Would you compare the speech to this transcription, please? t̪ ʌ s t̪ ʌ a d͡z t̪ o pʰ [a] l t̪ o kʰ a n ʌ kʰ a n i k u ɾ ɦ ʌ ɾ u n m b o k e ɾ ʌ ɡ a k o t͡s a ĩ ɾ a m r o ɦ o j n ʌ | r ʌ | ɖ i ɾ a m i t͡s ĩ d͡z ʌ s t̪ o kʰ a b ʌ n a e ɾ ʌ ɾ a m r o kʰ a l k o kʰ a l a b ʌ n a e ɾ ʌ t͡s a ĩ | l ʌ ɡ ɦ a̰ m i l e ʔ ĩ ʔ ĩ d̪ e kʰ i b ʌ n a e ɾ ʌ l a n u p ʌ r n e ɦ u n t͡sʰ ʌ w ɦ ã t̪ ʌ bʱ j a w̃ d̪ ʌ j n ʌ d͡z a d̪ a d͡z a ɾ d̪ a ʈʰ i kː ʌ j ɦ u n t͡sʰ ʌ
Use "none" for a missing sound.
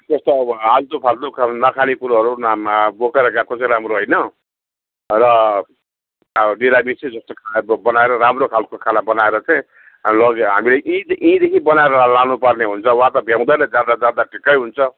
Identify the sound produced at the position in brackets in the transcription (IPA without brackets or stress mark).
a